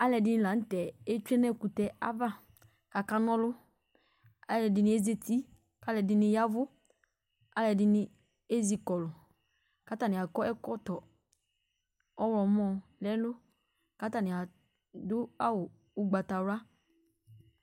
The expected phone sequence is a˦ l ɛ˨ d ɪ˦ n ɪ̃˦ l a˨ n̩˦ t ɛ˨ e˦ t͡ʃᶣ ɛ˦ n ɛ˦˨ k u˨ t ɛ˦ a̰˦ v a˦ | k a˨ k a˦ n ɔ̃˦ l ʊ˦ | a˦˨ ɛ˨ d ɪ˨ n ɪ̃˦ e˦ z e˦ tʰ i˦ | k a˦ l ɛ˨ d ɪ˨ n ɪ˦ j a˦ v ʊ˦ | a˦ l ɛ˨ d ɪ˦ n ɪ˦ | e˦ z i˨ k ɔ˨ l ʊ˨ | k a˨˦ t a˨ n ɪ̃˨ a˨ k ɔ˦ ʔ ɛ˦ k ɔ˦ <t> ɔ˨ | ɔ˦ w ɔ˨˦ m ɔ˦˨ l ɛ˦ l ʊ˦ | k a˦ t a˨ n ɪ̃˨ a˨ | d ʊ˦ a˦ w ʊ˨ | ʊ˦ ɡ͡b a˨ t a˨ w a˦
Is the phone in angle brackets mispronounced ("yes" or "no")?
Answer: no